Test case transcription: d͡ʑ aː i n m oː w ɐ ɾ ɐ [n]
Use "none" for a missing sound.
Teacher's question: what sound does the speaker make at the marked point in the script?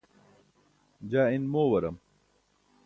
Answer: m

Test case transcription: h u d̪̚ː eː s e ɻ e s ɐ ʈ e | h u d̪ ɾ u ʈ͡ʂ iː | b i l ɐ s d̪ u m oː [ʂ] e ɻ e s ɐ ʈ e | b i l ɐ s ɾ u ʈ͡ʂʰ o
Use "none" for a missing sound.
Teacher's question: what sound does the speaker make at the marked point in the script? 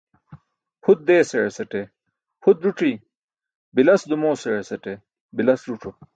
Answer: s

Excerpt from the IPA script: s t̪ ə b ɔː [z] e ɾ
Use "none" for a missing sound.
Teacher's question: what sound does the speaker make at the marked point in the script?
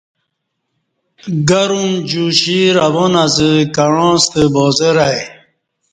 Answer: z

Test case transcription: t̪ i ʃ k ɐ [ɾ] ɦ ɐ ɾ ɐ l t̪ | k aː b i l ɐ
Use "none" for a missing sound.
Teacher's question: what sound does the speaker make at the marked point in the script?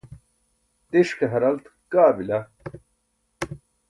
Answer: none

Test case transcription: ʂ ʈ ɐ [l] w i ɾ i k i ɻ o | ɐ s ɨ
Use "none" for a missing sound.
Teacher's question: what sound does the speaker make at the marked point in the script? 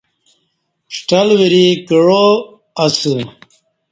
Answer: l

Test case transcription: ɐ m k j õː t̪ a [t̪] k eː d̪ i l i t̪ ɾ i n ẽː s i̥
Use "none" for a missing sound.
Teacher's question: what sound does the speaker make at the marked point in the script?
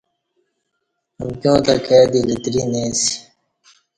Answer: none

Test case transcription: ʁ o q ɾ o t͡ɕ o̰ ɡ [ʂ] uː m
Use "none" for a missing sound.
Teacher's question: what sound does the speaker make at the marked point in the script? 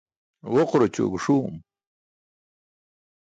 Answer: ʂ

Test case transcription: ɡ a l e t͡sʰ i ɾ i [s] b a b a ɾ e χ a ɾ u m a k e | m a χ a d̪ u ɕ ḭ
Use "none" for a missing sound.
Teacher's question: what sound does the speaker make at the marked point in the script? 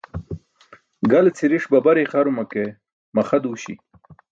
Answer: ʂ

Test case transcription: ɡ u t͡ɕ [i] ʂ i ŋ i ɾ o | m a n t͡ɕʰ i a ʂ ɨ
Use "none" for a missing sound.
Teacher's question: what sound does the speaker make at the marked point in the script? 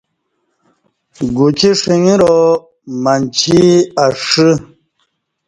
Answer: i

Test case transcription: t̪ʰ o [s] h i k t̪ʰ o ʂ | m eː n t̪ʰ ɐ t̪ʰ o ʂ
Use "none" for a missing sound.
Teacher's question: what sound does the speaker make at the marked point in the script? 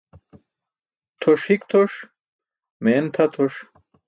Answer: ʂ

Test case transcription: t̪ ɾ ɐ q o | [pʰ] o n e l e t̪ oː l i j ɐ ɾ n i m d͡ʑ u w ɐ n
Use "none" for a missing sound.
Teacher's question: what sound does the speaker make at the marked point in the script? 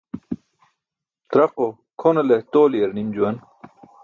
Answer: kʰ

